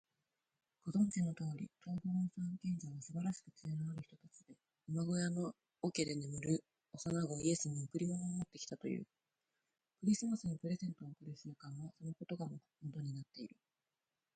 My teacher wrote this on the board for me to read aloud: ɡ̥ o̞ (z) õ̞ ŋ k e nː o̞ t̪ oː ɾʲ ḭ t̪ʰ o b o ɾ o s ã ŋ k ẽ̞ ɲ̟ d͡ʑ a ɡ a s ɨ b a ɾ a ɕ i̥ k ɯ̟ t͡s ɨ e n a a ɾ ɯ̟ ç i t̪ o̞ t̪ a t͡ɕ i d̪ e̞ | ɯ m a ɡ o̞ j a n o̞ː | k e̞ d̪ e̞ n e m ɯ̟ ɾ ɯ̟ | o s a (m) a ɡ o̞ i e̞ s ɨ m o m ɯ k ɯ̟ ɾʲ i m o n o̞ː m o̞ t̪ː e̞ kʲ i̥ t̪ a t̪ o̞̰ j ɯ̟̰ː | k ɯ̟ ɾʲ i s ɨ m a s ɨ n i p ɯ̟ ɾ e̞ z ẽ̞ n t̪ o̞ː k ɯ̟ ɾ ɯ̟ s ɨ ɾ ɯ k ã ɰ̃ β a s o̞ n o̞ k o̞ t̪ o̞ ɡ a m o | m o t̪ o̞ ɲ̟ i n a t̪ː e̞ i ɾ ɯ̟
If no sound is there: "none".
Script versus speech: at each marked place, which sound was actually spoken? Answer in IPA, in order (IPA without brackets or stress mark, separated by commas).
z, n